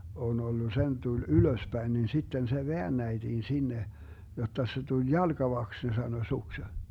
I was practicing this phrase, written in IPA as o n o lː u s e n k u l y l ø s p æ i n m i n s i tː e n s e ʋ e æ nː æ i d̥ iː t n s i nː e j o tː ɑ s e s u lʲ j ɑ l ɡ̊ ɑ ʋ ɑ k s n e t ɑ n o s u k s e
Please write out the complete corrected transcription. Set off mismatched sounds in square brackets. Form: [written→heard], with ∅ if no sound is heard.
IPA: o n o lː u s e n [k→t] u l y l ø s p æ i n [m→n] i n s i tː e n s e ʋ e æ nː æ i d̥ iː [t→∅] n s i nː e j o tː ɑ s e [s→t] u lʲ j ɑ l ɡ̊ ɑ ʋ ɑ k s n e [t→s] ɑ n o s u k s e